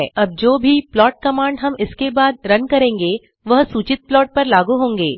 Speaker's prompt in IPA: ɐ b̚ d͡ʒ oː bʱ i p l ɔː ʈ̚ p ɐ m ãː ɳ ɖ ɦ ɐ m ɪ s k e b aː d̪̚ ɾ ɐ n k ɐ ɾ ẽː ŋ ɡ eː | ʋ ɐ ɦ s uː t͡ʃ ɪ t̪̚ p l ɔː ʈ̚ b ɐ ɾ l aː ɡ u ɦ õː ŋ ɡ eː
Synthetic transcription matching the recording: ɐ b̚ d͡ʒ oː bʱ i p l ɔː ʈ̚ k ɐ m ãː ɳ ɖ ɦ ɐ m ɪ s k e b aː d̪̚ ɾ ɐ n k ɐ ɾ ẽː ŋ ɡ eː | ʋ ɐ ɦ s uː t͡ʃ ɪ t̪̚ p l ɔː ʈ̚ p ɐ ɾ l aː ɡ u ɦ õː ŋ ɡ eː